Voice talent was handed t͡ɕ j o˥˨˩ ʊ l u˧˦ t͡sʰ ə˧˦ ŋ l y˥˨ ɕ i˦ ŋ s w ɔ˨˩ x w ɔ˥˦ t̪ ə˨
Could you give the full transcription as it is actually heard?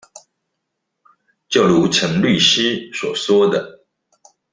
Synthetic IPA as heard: t͡ɕ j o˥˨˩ ʊ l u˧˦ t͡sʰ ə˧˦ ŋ l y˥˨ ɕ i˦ s w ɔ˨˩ s w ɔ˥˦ d̪ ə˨